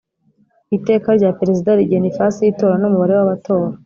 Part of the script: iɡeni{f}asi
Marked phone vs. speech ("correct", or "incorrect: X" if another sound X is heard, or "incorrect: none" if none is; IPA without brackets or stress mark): correct